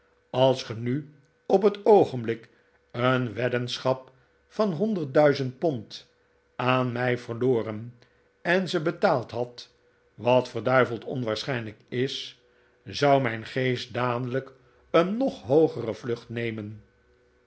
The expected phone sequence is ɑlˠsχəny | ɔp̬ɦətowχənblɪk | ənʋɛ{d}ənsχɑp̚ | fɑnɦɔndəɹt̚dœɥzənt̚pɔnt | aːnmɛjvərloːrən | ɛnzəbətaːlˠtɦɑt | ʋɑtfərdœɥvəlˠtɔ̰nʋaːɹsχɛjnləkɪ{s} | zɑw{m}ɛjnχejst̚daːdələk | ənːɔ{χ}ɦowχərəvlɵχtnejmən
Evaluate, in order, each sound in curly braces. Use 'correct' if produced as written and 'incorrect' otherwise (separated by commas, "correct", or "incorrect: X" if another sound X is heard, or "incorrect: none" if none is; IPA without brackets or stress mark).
correct, correct, correct, correct